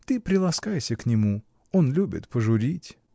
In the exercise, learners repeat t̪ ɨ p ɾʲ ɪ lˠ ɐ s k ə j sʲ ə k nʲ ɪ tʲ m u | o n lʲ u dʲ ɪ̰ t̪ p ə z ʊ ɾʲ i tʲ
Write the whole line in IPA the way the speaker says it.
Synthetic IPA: t̪ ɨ p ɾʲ ɪ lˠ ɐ s k a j sʲ ə k nʲ ɪ m u | o n lʲ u bʲ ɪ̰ t̪ p ə ʐ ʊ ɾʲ i tʲ